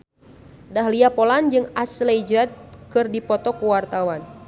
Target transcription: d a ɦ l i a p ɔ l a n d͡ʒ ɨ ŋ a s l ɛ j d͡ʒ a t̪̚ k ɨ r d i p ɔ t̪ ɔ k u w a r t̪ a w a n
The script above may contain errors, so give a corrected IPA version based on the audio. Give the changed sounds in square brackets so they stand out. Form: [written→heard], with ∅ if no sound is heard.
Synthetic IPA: d a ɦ l i a p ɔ l a n d͡ʒ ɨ ŋ a s l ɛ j d͡ʒ a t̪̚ k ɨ r d i p ɔ t̪ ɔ k u w a r t̪ a w a n